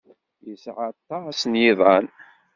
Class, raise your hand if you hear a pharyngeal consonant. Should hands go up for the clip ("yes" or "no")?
yes